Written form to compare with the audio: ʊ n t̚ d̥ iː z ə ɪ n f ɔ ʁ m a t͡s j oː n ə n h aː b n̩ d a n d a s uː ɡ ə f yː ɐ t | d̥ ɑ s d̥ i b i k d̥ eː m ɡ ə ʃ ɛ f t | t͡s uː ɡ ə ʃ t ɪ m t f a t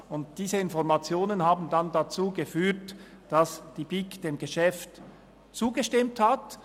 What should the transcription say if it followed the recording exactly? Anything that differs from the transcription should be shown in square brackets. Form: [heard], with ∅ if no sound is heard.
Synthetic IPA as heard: ʊ n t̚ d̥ iː z ə ɪ n f ɔ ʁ m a t͡s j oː n ə n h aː b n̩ d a n d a [t͡s] uː ɡ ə f yː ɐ t | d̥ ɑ s d̥ i b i k d̥ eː m ɡ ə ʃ ɛ f t | t͡s uː ɡ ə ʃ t ɪ m t [h] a t